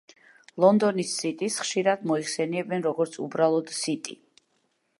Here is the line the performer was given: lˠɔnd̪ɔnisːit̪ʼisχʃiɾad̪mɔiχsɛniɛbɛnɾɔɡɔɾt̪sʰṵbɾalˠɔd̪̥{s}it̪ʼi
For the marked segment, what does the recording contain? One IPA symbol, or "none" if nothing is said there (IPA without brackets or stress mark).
s